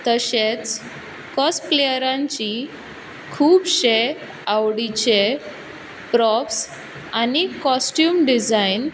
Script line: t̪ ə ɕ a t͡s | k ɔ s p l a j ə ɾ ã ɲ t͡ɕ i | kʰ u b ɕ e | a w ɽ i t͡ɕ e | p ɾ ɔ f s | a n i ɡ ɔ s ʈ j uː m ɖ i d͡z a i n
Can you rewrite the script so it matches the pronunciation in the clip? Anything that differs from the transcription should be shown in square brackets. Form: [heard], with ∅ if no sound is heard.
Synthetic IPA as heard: t̪ ə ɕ [e] t͡s | k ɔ s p l [e] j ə ɾ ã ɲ t͡ɕ i | kʰ [uː] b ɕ e | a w ɽ i t͡ɕ e | p ɾ ɔ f s | a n i [k] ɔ s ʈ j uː m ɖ i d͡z a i n